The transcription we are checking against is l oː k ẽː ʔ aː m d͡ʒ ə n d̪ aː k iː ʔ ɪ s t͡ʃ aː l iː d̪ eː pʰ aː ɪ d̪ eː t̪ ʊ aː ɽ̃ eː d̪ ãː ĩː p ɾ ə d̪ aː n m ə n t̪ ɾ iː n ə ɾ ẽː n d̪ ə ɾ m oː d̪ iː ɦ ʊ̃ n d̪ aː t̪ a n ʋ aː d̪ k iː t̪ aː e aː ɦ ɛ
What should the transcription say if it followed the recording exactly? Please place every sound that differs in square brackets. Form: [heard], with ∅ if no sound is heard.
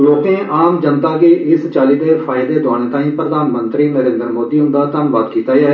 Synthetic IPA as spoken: l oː k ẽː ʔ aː m d͡ʒ ə n [t̪] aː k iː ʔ ɪ s t͡ʃ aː l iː d̪ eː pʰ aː ɪ d̪ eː [d̪] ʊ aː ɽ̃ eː [t̪] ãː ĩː p ɾ ə d̪ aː n m ə n t̪ ɾ iː n ə ɾ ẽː n d̪ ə ɾ m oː d̪ iː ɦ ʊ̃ n d̪ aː t̪ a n ʋ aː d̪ k iː t̪ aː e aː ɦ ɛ